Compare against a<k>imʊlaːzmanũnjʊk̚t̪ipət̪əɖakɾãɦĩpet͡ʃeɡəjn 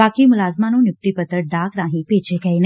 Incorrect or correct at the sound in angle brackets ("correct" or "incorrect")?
correct